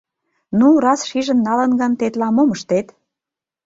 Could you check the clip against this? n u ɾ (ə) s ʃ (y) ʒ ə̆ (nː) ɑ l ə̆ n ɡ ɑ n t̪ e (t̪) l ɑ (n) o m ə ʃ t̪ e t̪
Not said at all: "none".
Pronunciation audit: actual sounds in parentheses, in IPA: ɑ, i, nː, t̪, m

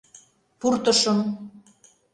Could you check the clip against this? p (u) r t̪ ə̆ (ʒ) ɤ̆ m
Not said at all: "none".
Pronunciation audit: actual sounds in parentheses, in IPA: u, ʃ

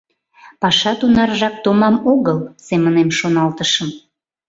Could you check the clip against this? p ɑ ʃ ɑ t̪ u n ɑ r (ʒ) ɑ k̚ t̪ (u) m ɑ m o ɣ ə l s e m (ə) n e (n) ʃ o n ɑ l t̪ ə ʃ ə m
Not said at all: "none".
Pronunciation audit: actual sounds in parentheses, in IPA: ʒ, o, ə, m

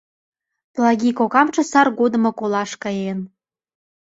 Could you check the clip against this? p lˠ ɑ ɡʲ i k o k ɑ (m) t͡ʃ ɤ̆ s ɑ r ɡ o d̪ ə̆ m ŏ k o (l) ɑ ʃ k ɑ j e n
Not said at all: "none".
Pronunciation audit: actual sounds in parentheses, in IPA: m, l

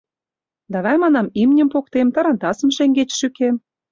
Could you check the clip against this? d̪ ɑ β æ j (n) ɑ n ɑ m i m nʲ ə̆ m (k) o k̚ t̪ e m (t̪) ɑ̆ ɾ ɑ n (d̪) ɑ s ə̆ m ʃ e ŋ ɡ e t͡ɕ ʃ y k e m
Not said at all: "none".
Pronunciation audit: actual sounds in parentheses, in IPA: m, p, t̪, t̪

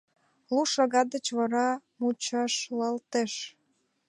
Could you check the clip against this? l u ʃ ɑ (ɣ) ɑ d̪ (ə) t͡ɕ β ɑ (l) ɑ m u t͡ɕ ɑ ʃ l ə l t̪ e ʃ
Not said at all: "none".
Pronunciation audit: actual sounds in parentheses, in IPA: ɣ, ə, ɾ

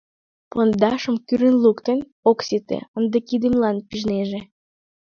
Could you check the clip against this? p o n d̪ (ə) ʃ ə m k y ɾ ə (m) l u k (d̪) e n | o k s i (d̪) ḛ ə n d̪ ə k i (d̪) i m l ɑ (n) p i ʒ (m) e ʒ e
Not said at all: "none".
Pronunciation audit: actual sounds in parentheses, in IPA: ɑ, n, t̪, t̪, d̪, n, n

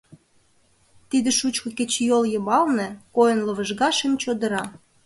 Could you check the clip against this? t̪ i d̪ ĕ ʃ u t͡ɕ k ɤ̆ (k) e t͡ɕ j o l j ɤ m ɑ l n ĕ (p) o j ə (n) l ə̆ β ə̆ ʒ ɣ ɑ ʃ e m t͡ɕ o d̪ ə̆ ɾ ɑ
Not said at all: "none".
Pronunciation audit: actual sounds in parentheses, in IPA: k, k, n

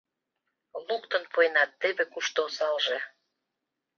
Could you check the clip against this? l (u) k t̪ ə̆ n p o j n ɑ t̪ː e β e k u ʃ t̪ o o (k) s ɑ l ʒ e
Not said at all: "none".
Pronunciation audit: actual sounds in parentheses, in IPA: u, none

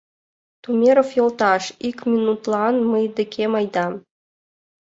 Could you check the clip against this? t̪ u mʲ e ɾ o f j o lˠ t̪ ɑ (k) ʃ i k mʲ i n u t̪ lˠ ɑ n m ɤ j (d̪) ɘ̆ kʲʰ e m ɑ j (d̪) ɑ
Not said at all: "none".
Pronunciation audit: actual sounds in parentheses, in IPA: none, d̪, d̪

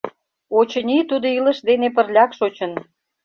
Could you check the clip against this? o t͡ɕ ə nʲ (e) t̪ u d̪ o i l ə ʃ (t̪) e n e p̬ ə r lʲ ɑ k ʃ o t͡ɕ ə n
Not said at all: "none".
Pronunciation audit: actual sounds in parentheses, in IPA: i, d̪

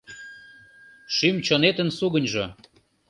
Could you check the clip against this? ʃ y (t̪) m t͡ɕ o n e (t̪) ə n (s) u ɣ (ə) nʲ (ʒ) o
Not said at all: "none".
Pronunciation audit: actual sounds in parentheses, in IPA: none, t̪, s, ə, ʒ

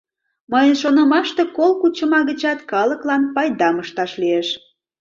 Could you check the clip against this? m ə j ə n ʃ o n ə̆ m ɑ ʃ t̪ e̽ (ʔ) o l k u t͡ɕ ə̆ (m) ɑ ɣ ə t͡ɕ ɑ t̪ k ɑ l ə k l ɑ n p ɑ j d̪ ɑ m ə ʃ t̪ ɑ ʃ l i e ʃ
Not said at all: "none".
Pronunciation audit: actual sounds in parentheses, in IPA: k, m

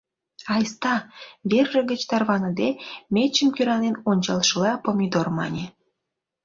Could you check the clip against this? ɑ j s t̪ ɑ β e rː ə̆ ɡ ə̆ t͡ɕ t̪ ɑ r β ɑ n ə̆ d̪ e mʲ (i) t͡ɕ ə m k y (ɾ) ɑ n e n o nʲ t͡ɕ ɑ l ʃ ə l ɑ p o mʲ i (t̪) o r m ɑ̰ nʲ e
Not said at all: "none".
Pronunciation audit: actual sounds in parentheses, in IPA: e, ɾ, d̪

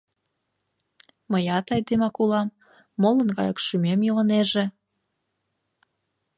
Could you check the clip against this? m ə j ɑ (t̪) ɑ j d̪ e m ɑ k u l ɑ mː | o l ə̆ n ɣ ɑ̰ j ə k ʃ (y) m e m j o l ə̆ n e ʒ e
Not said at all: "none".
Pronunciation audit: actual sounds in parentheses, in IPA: t̪, y

